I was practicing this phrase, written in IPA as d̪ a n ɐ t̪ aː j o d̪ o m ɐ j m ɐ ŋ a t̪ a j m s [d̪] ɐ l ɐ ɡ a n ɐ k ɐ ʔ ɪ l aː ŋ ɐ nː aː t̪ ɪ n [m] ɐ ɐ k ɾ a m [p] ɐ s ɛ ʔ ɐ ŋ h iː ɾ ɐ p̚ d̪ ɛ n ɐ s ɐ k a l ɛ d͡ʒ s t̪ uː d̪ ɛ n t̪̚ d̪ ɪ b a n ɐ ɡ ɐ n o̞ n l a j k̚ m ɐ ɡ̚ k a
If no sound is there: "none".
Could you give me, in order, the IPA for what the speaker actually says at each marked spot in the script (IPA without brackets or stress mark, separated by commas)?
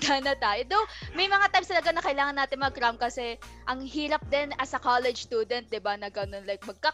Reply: t̪, m, k